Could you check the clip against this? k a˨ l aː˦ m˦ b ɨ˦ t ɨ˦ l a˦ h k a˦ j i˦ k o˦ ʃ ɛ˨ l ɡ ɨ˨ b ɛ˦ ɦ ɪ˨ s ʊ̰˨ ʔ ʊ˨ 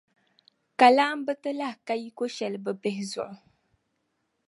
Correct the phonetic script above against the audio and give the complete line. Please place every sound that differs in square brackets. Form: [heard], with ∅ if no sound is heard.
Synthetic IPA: k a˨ l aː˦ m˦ b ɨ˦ t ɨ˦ l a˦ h k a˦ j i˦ k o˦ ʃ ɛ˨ l [b] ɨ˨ b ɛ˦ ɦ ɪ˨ [z] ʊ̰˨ ʔ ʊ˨